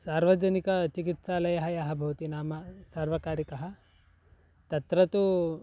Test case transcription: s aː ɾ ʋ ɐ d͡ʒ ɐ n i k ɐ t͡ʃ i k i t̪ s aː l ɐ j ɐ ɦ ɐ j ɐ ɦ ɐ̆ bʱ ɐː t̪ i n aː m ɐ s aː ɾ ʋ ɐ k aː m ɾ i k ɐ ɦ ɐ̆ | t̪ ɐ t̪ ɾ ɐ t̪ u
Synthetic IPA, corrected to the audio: s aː ɾ ʋ ɐ d͡ʒ ɐ n i k ɐ t͡ʃ i k i t̪ s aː l ɐ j ɐ ɦ ɐ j ɐ ɦ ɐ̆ bʱ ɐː t̪ i n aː m ɐ s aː ɾ ʋ ɐ k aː ɾ i k ɐ ɦ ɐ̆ | t̪ ɐ t̪ ɾ ɐ t̪ u